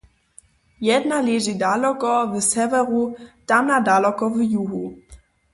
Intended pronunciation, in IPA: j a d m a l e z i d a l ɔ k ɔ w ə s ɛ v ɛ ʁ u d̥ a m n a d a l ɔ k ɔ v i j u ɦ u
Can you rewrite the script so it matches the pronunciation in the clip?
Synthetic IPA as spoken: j ɛ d n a l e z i d a l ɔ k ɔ v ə s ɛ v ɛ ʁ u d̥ a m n a d a l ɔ k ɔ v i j u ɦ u